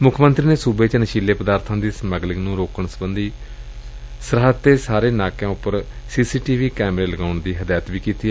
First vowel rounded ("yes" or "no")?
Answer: yes